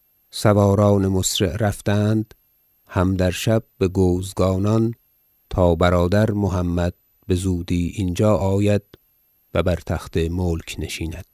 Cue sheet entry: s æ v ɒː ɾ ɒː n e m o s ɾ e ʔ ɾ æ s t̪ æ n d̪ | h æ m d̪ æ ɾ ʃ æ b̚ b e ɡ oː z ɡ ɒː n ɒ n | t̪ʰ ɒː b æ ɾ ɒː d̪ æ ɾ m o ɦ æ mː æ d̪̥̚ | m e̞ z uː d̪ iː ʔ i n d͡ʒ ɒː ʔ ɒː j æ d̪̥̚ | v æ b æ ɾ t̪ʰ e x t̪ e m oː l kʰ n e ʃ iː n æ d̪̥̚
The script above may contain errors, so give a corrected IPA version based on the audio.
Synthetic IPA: s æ v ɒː ɾ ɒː n e m o s ɾ e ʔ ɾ æ f t̪ æ n d̪ | h æ m d̪ æ ɾ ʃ æ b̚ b e ɡ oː z ɡ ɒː n ɒ n | t̪ʰ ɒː b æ ɾ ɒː d̪ æ ɾ m o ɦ æ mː æ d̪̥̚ | b e̞ z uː d̪ iː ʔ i n d͡ʒ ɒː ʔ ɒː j æ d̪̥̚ | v æ b æ ɾ t̪ʰ æ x t̪ e m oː l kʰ n e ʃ iː n æ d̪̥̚